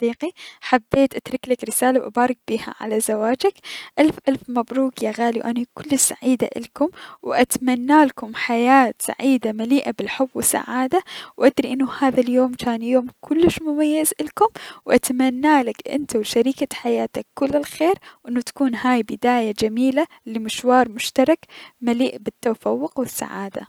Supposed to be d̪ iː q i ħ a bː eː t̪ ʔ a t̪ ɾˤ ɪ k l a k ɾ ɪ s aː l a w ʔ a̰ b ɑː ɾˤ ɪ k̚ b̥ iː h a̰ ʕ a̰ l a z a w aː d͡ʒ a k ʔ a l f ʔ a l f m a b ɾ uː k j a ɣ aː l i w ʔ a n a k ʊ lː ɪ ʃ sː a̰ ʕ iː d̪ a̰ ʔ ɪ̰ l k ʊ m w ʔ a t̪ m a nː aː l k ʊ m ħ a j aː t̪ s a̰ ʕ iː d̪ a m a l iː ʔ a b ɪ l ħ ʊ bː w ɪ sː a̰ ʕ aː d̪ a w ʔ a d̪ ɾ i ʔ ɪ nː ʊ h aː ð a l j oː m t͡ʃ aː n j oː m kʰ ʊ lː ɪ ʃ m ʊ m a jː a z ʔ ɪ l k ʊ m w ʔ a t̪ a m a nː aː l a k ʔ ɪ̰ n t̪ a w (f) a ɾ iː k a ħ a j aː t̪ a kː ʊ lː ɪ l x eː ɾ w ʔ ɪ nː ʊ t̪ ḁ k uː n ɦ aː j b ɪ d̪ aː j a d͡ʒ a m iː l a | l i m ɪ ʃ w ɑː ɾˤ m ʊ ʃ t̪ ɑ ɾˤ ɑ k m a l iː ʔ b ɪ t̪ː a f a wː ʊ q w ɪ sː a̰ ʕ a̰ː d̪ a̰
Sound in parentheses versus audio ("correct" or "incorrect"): incorrect